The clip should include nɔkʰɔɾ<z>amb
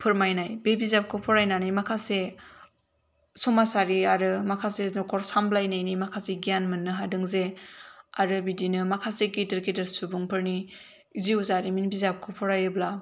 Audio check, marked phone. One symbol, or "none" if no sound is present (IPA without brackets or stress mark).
s